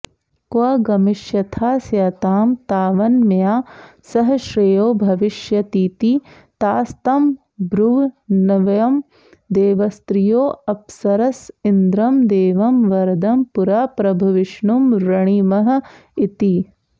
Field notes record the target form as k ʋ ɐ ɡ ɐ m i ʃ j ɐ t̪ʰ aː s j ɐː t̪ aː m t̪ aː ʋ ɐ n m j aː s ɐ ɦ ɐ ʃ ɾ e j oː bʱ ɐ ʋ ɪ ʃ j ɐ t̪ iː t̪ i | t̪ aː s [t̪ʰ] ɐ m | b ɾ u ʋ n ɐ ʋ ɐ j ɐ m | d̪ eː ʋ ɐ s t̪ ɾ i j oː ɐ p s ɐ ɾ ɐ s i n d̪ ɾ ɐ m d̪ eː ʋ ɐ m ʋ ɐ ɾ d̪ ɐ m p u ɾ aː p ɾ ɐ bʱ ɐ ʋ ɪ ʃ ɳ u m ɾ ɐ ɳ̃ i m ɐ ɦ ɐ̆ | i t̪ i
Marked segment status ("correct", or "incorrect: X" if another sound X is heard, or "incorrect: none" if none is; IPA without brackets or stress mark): incorrect: t̪